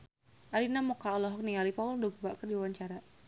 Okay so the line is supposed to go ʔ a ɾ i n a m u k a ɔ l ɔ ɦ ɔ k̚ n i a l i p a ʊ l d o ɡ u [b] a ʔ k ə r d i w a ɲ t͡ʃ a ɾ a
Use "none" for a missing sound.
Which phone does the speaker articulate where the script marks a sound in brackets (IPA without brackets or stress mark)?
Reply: b